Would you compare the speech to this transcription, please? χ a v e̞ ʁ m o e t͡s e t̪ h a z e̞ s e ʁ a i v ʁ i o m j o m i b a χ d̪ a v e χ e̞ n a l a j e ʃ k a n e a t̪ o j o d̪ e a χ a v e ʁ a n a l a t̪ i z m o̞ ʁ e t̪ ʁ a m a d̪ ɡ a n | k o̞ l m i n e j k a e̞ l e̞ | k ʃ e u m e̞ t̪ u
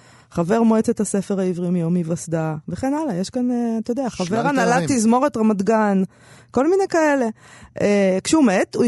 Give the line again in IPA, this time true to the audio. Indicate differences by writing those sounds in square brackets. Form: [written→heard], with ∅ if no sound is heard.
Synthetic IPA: χ a v e̞ ʁ m o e t͡s e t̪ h a [z→s] e̞ [s→f] e ʁ a i v ʁ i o m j o m i [b→v] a [χ→s] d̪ a v e χ e̞ n a l a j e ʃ k a n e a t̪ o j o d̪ e a χ a v e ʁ a n a l a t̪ i z m o̞ ʁ e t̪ ʁ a m a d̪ ɡ a n | k o̞ l m i n e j k a e̞ l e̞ | k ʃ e u m e̞ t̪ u